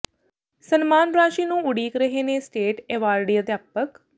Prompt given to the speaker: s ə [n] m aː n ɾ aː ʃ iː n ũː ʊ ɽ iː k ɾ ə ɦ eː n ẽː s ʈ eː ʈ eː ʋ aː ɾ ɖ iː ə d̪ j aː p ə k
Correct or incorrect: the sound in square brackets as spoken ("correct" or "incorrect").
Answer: correct